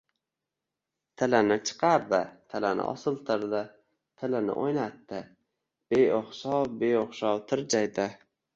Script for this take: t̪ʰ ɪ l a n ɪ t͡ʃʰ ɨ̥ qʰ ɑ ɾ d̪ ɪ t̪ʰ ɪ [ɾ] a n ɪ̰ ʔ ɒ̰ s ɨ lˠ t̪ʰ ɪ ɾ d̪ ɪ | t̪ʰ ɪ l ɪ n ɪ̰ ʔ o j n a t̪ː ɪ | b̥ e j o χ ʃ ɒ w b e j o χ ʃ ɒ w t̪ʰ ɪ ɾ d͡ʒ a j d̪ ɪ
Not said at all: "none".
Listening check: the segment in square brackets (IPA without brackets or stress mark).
l